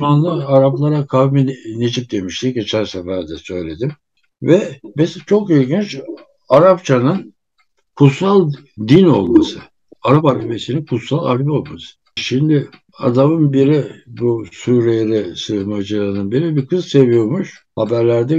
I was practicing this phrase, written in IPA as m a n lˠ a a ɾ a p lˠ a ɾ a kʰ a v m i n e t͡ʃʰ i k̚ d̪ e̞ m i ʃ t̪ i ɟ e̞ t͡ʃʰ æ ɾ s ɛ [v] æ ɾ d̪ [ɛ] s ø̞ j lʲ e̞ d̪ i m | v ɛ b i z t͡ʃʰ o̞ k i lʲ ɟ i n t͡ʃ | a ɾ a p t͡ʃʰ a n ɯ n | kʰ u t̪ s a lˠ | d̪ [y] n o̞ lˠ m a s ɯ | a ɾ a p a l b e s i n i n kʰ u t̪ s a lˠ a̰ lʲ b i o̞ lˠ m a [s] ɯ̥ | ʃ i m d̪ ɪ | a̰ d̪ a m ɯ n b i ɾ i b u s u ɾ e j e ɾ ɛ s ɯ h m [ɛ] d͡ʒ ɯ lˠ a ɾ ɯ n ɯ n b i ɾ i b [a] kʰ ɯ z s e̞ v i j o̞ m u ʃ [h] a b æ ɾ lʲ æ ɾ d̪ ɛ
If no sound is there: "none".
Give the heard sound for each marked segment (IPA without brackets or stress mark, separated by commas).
f, ɛ, i, s, a, i, h